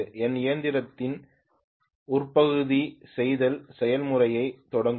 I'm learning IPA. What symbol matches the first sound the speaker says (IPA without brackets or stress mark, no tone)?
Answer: ɛ